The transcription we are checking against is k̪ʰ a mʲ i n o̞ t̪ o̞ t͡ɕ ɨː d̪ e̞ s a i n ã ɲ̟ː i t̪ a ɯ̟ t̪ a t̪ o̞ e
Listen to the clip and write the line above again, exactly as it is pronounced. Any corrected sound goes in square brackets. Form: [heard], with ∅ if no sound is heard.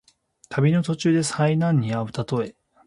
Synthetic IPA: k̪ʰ a [bʲ] i n o̞ t̪ o̞ t͡ɕ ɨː d̪ e̞ s a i n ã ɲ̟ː i [∅] a ɯ̟ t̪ a t̪ o̞ e